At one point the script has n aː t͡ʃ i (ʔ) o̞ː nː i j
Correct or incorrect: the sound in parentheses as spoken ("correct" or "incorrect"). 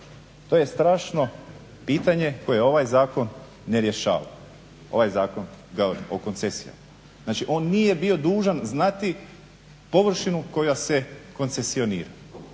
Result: correct